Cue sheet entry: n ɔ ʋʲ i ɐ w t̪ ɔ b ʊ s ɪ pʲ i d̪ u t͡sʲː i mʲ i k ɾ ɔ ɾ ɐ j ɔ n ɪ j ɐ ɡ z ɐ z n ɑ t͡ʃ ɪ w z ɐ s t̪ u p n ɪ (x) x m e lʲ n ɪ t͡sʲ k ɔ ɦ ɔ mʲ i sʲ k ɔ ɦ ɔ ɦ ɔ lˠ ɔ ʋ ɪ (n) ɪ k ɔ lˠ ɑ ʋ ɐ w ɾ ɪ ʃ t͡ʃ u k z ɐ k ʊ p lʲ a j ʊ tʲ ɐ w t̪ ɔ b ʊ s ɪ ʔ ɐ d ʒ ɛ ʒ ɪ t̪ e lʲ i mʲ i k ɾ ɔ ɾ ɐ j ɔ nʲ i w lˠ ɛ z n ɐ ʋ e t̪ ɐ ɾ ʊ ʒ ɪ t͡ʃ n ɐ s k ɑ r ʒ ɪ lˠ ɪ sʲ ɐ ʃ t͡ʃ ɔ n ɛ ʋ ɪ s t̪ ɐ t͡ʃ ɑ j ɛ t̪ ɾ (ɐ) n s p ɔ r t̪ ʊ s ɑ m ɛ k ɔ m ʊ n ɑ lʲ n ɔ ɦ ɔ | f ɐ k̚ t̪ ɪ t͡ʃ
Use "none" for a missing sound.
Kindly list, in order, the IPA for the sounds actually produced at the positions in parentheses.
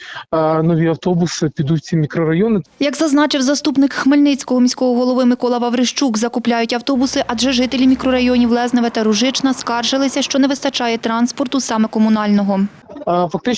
k, m, ɑ

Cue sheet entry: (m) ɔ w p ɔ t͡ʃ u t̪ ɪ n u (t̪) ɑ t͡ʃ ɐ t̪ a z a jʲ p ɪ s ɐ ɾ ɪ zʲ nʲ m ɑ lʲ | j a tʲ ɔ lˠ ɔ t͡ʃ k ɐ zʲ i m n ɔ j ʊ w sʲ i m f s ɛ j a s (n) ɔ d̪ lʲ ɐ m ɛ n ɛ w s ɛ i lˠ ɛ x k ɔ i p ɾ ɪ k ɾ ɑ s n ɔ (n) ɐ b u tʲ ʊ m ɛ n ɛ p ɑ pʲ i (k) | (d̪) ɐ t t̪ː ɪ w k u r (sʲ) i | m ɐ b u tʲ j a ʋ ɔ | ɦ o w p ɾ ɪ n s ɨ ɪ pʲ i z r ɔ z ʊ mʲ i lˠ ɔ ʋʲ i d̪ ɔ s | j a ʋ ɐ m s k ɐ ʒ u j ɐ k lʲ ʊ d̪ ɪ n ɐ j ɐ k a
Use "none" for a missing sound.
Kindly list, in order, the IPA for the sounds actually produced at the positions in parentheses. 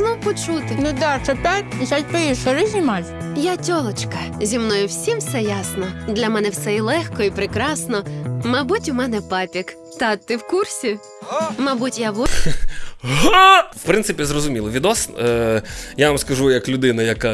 n, d̪, n, m, k, t̪, sʲ

